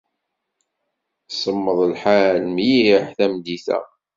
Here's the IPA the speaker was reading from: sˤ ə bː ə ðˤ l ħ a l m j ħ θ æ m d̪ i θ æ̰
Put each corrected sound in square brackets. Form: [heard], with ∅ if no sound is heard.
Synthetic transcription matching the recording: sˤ ə [mː] ə ðˤ l ħ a l m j ħ θ æ m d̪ i θ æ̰